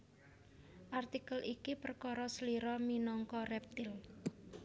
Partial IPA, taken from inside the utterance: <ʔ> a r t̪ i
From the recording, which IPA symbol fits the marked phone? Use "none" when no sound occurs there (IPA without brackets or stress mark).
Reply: ʔ